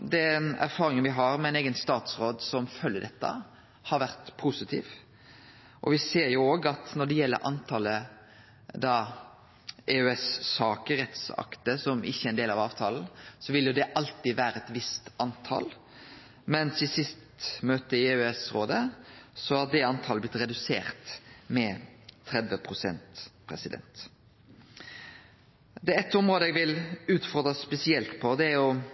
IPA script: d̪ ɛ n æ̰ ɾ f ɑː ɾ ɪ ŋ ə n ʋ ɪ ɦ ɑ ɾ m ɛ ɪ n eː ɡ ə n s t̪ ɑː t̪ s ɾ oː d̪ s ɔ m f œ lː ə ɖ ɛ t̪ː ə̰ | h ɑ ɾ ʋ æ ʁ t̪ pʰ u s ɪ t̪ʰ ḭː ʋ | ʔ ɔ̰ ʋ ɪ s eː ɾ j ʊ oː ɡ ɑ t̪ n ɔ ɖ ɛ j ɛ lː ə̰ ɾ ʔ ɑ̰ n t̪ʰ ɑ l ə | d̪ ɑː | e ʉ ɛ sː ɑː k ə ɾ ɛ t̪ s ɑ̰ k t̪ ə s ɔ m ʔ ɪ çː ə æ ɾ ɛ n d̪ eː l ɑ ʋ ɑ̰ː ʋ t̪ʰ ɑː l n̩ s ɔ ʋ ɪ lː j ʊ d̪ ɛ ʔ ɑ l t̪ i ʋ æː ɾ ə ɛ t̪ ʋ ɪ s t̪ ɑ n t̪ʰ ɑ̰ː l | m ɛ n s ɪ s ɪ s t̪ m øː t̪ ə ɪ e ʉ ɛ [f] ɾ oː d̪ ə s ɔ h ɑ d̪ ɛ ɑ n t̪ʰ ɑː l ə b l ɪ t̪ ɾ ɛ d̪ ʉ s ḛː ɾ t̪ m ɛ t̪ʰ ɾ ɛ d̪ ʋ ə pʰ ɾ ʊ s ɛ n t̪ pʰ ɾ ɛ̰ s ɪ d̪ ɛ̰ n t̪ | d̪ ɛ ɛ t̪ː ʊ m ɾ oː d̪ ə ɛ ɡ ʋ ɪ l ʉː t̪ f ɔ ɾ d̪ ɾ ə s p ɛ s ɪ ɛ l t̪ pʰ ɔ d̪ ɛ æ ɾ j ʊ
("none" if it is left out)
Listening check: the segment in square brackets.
s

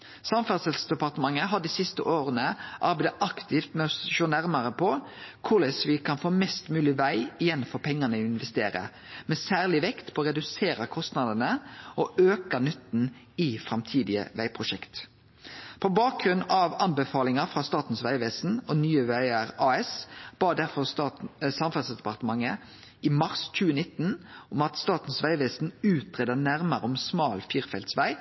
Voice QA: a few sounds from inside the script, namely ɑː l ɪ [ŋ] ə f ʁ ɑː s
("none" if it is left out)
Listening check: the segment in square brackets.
ŋ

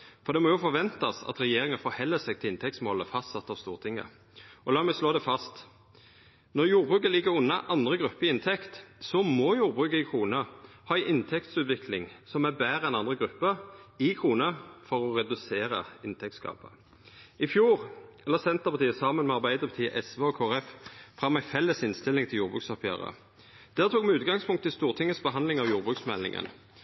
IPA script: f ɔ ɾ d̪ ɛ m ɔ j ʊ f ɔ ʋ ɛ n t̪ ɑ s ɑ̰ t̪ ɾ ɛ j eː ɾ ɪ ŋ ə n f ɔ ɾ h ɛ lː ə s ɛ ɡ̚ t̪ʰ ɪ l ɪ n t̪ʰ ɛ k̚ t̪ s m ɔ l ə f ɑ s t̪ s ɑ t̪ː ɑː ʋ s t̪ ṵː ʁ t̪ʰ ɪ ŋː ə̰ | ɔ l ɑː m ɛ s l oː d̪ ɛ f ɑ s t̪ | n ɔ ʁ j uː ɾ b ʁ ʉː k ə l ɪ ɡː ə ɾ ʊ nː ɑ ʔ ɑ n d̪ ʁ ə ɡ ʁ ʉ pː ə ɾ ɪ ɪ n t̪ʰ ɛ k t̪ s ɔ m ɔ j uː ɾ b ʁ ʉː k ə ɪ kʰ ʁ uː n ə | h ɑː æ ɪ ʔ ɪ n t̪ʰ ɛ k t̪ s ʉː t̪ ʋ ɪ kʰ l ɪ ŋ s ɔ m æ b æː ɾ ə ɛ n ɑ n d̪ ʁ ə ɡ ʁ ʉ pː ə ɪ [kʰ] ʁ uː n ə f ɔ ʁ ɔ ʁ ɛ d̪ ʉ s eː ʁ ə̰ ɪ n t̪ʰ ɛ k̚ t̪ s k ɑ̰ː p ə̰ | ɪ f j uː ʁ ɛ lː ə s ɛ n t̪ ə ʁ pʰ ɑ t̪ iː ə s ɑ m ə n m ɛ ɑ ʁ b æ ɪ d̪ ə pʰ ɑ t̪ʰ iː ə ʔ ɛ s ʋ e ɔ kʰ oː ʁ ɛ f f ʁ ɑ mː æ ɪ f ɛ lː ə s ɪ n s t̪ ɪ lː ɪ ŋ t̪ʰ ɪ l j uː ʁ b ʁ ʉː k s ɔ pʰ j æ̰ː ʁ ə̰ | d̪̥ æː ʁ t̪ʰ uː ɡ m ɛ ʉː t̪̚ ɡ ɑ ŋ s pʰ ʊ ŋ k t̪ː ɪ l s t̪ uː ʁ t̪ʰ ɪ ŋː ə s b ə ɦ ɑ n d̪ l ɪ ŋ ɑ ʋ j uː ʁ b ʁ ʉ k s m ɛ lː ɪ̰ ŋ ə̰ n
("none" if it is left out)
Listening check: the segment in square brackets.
kʰ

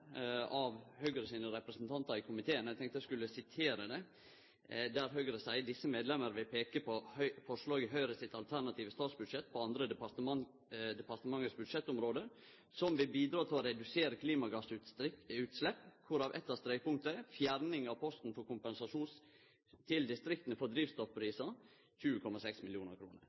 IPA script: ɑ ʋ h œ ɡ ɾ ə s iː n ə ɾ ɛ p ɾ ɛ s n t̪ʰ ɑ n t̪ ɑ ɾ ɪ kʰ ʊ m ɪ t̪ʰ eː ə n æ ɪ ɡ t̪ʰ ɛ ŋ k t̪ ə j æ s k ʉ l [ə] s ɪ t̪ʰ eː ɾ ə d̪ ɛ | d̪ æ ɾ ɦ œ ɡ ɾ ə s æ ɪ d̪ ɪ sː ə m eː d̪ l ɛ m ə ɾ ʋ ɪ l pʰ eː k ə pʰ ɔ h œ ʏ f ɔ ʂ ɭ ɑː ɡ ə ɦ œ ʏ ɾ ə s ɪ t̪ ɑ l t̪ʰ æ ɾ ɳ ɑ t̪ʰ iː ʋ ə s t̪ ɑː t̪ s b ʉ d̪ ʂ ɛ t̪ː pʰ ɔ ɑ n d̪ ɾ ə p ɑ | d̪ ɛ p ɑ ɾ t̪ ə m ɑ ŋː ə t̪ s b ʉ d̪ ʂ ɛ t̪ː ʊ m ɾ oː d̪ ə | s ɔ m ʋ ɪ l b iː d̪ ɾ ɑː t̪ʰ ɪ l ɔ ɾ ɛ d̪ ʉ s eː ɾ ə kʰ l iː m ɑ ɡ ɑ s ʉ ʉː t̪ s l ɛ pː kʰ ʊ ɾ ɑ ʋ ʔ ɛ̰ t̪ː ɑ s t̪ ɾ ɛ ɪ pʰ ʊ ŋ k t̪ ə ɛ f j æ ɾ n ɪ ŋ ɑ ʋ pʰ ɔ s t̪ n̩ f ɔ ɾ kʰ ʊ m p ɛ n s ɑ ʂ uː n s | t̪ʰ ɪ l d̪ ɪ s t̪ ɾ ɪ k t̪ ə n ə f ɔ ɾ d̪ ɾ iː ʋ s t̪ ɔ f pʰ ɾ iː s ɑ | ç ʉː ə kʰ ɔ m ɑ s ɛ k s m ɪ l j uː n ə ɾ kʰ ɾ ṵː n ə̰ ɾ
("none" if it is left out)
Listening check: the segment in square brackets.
ə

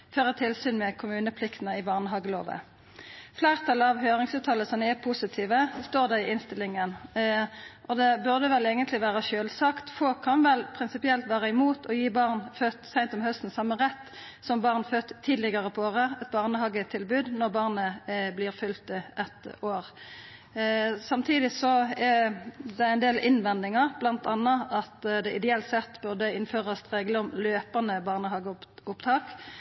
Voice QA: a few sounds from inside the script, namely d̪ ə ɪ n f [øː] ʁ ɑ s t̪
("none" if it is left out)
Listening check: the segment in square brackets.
øː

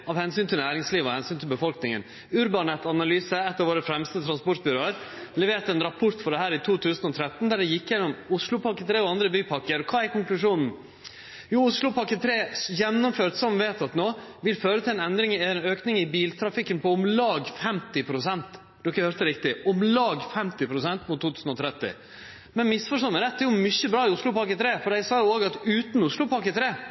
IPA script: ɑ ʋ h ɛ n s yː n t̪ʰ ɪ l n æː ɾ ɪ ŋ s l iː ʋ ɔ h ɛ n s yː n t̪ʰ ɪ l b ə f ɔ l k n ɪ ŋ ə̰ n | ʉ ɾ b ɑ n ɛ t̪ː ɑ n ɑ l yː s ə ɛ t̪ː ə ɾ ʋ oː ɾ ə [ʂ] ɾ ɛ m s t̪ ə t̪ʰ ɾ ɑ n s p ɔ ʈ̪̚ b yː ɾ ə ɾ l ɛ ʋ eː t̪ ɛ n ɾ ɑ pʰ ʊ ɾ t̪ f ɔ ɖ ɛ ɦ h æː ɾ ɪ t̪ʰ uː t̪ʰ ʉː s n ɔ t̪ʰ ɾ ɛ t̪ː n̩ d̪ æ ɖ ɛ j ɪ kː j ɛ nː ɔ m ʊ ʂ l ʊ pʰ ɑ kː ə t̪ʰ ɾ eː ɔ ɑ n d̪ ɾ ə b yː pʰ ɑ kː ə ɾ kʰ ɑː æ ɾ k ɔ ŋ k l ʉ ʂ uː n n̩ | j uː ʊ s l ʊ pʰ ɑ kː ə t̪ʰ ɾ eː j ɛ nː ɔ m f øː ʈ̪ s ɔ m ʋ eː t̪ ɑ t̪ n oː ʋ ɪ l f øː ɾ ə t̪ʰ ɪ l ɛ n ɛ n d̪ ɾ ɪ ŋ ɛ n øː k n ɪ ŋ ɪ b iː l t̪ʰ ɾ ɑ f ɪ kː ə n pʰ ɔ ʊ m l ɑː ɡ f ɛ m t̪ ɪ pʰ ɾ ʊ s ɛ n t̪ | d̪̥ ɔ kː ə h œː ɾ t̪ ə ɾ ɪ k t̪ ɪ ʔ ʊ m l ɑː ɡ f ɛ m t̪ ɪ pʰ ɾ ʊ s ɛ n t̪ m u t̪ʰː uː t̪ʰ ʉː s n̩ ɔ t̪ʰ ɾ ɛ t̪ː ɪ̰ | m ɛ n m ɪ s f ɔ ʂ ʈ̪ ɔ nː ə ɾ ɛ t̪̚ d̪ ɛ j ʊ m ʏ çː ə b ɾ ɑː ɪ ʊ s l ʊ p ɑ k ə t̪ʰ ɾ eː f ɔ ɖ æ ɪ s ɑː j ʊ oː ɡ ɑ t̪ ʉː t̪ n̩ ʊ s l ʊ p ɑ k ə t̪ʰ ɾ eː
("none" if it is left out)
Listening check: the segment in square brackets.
f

